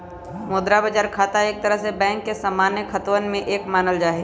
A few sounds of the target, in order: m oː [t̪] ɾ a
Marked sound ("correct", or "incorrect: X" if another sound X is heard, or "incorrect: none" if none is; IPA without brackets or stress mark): incorrect: d̪